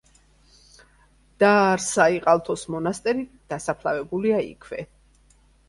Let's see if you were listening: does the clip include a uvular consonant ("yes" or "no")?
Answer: yes